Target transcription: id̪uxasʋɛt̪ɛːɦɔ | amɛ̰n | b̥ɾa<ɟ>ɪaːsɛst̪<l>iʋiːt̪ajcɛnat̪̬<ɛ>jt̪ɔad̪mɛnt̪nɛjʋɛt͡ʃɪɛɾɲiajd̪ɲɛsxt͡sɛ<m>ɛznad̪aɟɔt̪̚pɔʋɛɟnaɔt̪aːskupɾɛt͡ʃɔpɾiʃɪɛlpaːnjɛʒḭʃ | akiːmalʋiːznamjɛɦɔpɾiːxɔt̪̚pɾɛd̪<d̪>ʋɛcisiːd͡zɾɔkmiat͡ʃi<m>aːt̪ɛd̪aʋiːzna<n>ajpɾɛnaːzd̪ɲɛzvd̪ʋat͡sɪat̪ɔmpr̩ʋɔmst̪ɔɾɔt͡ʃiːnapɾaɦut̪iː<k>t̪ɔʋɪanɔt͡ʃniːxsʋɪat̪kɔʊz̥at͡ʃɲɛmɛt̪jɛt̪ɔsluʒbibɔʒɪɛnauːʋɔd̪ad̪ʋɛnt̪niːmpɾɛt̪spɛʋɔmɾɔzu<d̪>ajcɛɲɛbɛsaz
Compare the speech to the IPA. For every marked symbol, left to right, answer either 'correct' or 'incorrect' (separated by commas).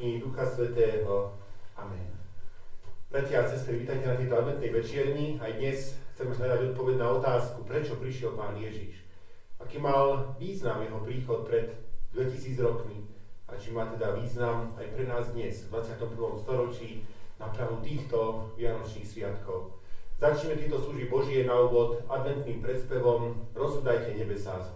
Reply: incorrect, incorrect, correct, correct, correct, correct, incorrect, incorrect, correct